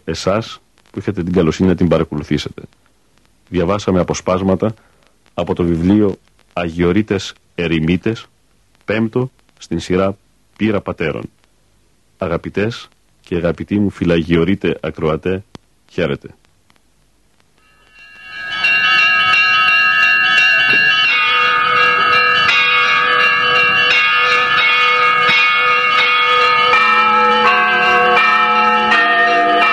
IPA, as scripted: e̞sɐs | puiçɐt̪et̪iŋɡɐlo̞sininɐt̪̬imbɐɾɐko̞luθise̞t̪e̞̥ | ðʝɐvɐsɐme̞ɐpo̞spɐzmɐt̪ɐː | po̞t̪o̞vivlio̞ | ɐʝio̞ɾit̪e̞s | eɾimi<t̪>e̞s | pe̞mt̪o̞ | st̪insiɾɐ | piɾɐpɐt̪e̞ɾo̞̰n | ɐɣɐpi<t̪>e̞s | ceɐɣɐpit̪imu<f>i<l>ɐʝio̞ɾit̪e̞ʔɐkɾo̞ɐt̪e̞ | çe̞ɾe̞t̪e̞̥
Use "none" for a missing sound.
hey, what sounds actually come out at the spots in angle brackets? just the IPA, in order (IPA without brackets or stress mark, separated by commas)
t̪, t̪, f, l